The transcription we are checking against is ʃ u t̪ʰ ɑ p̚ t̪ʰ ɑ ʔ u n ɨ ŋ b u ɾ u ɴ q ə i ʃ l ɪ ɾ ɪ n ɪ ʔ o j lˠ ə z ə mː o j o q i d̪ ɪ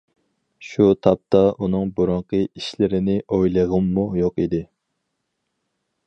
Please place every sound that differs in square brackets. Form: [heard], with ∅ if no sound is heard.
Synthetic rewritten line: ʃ u t̪ʰ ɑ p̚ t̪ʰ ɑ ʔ u n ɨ ŋ b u ɾ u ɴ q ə i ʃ l ɪ ɾ ɪ n ɪ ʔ o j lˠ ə [ʁ] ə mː [u] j o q i d̪ ɪ